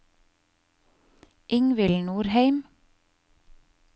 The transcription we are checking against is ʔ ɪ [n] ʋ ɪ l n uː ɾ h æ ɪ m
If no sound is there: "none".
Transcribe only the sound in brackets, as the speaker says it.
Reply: ŋ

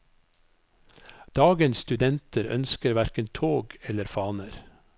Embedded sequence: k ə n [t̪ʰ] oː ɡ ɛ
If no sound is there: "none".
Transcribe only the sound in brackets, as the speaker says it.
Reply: t̪ʰ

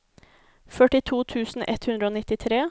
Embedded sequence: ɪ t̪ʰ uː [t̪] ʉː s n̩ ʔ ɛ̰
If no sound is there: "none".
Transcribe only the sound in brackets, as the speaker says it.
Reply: t̪ʰ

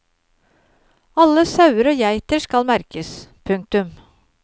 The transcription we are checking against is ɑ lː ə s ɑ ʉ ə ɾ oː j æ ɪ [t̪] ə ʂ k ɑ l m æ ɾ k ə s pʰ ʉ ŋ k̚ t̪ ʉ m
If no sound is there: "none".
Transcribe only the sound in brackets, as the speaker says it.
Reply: t̪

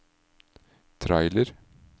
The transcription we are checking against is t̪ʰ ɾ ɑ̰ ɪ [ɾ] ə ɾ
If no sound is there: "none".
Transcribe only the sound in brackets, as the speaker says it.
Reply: l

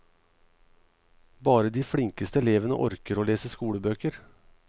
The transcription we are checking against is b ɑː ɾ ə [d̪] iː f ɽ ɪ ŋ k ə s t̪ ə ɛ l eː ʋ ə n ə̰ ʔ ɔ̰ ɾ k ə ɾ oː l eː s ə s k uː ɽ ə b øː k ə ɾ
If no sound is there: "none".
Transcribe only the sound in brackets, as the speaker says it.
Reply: d̪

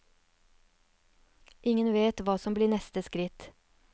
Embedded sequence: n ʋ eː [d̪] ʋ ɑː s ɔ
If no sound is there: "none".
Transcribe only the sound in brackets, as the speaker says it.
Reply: t̪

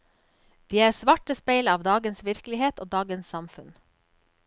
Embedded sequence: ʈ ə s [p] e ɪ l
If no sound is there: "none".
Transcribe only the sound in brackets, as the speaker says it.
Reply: p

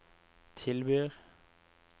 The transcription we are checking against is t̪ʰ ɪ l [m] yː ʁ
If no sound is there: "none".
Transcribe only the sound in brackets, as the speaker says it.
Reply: b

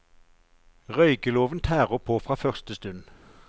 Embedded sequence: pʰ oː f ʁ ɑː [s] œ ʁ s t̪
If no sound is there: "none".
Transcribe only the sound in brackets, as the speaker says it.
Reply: f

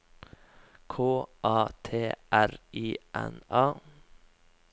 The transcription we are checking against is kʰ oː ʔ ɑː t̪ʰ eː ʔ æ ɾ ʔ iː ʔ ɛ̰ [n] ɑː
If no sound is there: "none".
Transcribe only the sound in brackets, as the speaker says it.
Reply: n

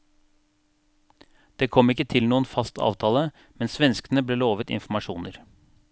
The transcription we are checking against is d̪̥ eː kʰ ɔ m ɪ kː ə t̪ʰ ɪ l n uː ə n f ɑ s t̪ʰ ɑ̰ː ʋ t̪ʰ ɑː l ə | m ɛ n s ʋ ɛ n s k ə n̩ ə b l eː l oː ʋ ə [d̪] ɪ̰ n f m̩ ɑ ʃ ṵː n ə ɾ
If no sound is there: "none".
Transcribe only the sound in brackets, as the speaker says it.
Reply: t̪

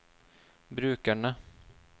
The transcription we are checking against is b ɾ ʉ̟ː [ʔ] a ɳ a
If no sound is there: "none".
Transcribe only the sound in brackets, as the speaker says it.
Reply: k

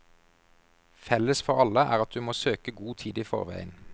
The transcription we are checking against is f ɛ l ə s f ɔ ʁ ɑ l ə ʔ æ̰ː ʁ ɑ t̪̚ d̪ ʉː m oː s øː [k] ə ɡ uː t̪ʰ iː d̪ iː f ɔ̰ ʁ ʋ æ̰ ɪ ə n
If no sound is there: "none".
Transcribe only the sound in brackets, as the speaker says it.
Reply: k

